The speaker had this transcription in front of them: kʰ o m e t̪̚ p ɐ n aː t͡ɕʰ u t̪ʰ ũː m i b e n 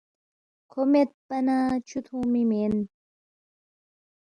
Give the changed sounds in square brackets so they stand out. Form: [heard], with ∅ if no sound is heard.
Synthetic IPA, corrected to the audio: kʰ o m e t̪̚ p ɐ n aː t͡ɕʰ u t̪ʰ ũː m i [m] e n

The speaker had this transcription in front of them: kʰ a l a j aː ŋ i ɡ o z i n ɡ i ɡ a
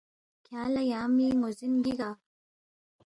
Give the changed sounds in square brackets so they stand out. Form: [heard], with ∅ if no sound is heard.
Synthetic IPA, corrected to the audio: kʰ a l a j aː [m] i [ŋ] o z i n ɡ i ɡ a

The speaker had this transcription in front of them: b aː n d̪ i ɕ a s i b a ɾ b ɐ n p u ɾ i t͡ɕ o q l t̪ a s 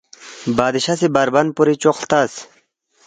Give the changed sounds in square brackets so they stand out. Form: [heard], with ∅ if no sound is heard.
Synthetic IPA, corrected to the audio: b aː [∅] d̪ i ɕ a s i b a ɾ b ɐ n p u ɾ i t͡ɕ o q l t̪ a s

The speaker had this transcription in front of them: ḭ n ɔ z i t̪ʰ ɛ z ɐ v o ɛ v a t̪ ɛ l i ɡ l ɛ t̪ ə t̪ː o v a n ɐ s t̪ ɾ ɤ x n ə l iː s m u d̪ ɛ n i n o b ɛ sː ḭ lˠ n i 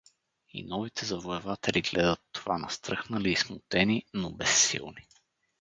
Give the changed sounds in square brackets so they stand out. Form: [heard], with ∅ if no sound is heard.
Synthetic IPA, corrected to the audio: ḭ n ɔ [v] i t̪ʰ ɛ z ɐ v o ɛ v a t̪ ɛ l i ɡ l ɛ [d̪] ə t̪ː o v a n ɐ s t̪ ɾ ɤ x n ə l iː s m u [t̪] ɛ n i n o b ɛ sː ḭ lˠ n i

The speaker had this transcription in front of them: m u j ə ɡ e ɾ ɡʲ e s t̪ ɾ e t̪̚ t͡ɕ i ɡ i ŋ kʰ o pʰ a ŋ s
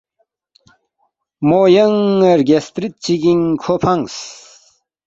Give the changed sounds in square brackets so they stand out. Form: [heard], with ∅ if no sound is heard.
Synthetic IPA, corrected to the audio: m [o] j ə [ŋ] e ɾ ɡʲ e s t̪ ɾ [i] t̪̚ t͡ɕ i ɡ i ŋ kʰ o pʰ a ŋ s

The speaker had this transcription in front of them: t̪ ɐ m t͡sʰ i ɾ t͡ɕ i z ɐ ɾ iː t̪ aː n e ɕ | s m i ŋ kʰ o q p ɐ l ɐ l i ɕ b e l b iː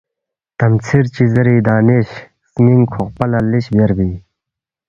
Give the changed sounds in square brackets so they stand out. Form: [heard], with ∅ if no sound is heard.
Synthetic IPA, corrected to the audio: t̪ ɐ m t͡sʰ i ɾ t͡ɕ i z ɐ ɾ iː [d̪] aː n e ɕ | s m i ŋ kʰ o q p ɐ l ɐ l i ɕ b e [ɾ] b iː

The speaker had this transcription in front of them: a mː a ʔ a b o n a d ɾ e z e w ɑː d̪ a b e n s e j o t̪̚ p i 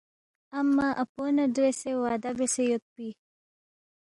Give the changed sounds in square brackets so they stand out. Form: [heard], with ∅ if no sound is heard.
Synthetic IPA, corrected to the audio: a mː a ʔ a [p] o n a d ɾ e [s] e w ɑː d̪ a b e [∅] s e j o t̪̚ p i

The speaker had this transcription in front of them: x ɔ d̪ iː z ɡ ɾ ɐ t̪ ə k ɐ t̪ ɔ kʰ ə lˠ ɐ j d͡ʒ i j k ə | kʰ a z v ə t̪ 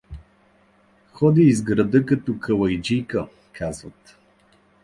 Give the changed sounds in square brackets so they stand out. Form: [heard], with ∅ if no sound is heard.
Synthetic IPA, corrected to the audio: x ɔ d̪ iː z ɡ ɾ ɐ [d̪] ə k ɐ t̪ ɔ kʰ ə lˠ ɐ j d͡ʒ i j k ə | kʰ a z v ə t̪

